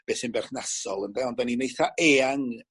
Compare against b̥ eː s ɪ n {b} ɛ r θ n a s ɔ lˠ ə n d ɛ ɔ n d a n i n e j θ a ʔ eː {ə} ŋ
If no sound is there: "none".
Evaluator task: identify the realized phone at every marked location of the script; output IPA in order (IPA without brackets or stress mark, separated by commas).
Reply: b, a